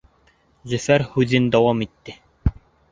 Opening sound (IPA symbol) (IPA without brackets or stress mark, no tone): z